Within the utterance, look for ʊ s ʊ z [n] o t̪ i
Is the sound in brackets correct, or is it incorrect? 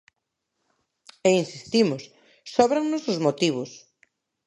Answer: incorrect